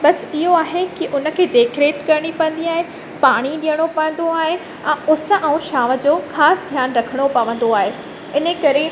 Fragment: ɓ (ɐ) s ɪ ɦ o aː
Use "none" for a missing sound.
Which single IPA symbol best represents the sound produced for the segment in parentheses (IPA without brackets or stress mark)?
ɐ